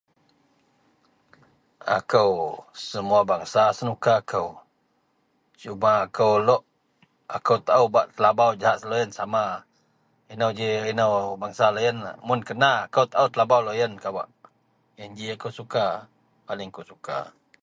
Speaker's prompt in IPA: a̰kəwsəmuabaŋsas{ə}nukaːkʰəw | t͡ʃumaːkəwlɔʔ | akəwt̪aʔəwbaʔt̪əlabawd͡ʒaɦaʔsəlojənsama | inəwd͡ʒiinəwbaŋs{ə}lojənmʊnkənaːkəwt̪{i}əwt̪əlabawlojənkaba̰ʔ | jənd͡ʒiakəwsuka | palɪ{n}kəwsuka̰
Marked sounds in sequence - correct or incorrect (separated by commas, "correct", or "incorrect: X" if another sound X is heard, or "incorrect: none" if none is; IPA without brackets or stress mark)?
correct, incorrect: a, incorrect: a, incorrect: ŋ